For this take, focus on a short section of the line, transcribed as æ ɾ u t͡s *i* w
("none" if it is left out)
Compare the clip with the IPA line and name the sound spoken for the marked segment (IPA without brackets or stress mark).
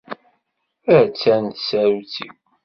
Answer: i